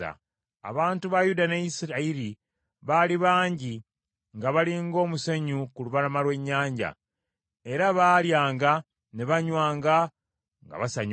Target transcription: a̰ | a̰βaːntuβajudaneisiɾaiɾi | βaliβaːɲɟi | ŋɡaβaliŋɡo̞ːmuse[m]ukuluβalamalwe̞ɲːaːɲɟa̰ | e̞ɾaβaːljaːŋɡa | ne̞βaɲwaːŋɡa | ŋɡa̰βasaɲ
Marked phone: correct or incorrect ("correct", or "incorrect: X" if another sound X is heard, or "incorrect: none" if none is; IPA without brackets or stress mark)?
incorrect: ɲ